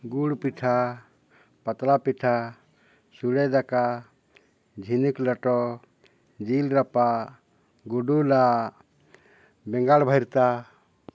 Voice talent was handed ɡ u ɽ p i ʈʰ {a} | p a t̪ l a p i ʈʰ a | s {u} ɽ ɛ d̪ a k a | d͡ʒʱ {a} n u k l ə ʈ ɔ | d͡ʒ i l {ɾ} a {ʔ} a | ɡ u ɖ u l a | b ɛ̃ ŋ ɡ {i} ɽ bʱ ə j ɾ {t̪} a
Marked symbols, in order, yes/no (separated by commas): yes, yes, no, yes, no, no, yes